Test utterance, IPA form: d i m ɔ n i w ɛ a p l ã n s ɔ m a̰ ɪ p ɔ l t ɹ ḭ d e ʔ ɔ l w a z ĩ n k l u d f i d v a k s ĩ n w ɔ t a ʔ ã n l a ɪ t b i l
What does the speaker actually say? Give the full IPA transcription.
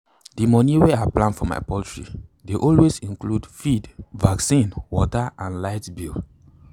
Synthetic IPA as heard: d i m ɔ n i w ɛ a p l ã n f ɔ m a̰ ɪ p ɔ l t ɹ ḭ d e ʔ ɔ l w e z ĩ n k l u d f i d v a k s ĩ n w ɔ t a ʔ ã n l a ɪ t b i l